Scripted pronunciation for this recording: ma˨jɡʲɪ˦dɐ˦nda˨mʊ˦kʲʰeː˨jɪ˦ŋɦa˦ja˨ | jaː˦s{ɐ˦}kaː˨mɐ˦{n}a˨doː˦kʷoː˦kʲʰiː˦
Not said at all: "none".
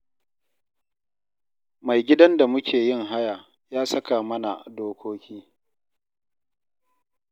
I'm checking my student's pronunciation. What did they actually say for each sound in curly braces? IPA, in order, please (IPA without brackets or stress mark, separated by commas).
ɐ˦, n